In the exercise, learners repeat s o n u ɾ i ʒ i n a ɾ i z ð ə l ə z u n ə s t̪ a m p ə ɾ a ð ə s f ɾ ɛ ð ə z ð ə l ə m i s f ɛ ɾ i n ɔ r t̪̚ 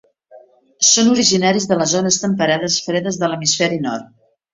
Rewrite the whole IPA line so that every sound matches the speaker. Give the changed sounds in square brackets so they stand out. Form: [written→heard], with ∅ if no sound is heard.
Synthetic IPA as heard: s o n u ɾ i ʒ i n a ɾ i z ð ə l ə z [u→o] n ə s t̪ [a→ə] m p ə ɾ a ð ə s f ɾ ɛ ð ə z ð ə l ə m i s f ɛ ɾ i n ɔ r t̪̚